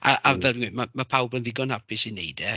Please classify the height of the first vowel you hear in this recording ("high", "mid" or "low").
low